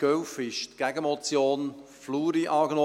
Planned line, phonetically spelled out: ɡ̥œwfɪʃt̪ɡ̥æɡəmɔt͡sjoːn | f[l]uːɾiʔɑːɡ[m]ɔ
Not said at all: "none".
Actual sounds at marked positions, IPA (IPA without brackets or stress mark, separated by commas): l, n